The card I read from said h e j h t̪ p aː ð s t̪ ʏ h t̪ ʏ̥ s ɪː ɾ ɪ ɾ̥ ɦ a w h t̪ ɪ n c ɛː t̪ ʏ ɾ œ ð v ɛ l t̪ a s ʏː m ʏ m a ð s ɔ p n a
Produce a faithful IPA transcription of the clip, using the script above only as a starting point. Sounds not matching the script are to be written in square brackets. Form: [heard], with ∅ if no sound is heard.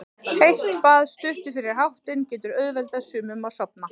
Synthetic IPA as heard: h e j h t̪ p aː ð s t̪ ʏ h t̪ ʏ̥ [f] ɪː ɾ ɪ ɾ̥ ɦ a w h t̪ ɪ n c ɛː t̪ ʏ ɾ œ ð v ɛ l t̪ a s ʏː m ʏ m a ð s ɔ p n a